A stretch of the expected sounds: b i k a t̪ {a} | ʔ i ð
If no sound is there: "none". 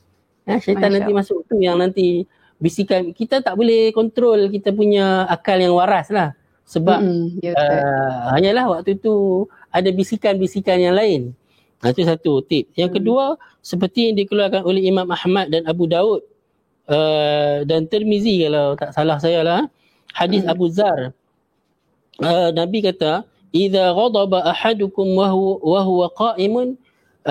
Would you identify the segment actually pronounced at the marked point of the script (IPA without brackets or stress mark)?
a